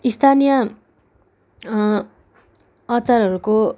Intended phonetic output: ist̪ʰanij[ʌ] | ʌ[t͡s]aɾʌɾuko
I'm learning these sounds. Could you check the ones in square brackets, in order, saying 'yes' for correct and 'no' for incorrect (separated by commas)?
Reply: yes, yes